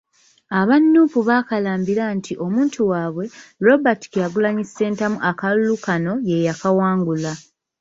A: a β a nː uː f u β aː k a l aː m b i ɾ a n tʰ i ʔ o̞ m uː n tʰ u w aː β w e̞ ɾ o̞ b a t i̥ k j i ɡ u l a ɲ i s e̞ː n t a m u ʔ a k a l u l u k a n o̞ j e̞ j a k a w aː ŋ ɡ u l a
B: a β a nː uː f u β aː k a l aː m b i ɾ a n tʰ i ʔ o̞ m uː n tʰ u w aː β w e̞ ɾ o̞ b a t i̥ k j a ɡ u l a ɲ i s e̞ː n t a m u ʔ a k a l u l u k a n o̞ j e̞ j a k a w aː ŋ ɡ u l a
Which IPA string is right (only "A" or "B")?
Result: B